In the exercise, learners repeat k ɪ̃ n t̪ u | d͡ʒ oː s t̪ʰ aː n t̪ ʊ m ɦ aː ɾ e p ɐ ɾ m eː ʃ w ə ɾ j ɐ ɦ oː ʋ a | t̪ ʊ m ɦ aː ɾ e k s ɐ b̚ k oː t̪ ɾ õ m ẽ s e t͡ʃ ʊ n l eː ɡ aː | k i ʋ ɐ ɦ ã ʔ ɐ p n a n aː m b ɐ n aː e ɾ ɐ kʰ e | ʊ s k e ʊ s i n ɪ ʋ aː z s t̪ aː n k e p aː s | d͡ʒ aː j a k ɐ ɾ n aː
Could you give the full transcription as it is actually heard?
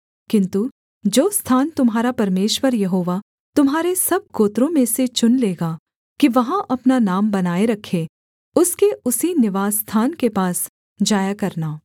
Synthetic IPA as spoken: k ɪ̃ n t̪ u | d͡ʒ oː s t̪ʰ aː n t̪ ʊ m ɦ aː ɾ a p ɐ ɾ m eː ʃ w ə ɾ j ɐ ɦ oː ʋ a | t̪ ʊ m ɦ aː ɾ e s ɐ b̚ k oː t̪ ɾ õ m ẽ s e t͡ʃ ʊ n l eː ɡ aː | k i ʋ ɐ ɦ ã ʔ ɐ p n a n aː m b ɐ n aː e ɾ ɐ kʰ e | ʊ s k e ʊ s i n ɪ ʋ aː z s t̪ʰ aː n k e p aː s | d͡ʒ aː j a k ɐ ɾ n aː